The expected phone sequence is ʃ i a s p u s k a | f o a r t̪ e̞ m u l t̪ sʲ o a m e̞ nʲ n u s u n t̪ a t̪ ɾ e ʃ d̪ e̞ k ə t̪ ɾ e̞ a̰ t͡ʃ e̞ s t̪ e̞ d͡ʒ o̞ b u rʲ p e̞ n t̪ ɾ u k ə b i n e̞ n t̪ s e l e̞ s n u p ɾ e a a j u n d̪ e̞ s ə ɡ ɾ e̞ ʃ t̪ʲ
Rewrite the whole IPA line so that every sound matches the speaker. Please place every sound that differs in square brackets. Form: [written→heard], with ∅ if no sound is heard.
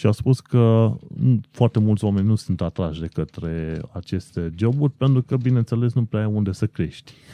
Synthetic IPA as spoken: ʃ i a s p u s k [a→ə] | f o a r t̪ e̞ m u l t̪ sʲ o a m e̞ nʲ n u s u n t̪ a t̪ ɾ [e→a] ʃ d̪ e̞ k ə t̪ ɾ e̞ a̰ t͡ʃ e̞ s t̪ e̞ d͡ʒ o̞ b u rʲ p e̞ n t̪ ɾ u k ə b i n e̞ n t̪ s e l e̞ s n u p ɾ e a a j u n d̪ e̞ s ə [ɡ→k] ɾ e̞ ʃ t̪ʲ